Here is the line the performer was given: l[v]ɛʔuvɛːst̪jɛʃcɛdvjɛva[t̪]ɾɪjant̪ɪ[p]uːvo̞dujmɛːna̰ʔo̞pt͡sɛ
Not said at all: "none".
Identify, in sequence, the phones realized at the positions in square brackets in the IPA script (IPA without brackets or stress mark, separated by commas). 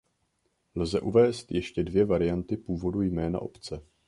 z, none, p